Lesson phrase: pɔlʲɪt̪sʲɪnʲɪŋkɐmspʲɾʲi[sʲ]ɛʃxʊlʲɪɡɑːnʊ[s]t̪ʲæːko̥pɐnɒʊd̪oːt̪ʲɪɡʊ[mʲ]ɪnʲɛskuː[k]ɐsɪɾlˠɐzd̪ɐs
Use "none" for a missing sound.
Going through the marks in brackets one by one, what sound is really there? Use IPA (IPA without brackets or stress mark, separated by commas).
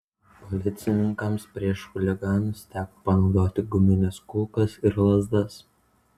none, s, mʲ, k